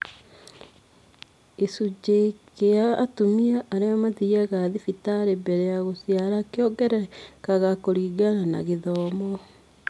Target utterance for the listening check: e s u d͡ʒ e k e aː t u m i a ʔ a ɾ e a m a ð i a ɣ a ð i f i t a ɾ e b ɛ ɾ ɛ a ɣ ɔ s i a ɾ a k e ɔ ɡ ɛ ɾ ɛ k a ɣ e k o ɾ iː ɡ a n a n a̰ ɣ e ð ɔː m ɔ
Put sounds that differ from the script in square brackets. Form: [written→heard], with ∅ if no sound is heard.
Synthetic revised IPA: e s u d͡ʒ e k e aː t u m i a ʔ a ɾ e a m a ð i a ɣ a ð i f i t a ɾ e b ɛ ɾ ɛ a ɣ [ɔ→o] s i a ɾ a k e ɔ ɡ ɛ ɾ ɛ k a ɣ [e→a] k o ɾ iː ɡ a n a n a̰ ɣ e ð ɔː m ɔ